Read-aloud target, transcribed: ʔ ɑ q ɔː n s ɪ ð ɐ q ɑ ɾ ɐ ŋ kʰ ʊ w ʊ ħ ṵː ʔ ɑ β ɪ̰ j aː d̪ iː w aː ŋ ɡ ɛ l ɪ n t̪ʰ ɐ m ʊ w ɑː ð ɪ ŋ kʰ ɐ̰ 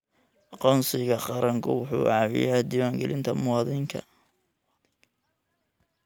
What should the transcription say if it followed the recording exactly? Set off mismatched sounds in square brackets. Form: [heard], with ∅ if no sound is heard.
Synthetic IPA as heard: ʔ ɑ q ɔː n s ɪ [ɣ] ɐ q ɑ ɾ ɐ ŋ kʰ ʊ w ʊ ħ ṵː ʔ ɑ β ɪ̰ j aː d̪ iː w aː ŋ ɡ ɛ l ɪ n t̪ʰ ɐ m ʊ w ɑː ð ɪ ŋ kʰ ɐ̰